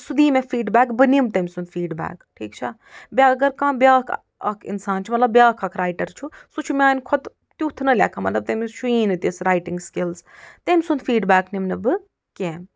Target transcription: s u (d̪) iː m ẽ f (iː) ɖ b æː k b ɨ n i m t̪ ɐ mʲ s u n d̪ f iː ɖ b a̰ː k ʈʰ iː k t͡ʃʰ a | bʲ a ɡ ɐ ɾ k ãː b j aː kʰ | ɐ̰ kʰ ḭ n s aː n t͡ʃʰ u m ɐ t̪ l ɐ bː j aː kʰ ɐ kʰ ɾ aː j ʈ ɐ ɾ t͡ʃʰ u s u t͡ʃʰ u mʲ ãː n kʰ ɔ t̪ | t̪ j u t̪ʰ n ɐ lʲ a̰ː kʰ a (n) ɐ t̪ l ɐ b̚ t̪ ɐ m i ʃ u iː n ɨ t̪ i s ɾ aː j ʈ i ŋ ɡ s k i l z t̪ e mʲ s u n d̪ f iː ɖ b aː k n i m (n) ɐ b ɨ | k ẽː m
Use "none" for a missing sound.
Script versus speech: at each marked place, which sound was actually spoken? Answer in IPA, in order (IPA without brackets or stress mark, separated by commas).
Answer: d̪, iː, m, n